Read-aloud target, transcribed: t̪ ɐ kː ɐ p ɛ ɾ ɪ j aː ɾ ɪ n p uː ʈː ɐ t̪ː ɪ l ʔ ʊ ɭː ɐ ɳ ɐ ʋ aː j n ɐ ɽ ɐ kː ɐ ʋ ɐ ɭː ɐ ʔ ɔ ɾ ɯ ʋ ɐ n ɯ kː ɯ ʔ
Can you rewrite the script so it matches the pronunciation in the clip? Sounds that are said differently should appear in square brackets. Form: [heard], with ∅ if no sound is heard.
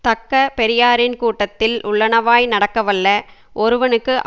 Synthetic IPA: t̪ ɐ kː ɐ p ɛ ɾ ɪ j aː ɾ ɪ n [k] uː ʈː ɐ t̪ː ɪ l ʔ ʊ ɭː ɐ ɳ ɐ ʋ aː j n ɐ ɽ ɐ kː ɐ ʋ ɐ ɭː ɐ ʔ ɔ ɾ ɯ ʋ ɐ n ɯ kː ɯ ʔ